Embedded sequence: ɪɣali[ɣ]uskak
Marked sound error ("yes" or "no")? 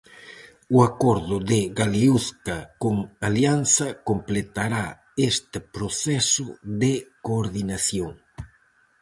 yes